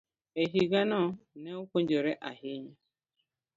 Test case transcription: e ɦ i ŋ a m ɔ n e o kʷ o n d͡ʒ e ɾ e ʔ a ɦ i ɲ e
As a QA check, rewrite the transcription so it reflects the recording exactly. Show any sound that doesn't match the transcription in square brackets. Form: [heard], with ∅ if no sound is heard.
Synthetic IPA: e ɦ i [ɡ] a [n] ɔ n e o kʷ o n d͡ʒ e ɾ e ʔ a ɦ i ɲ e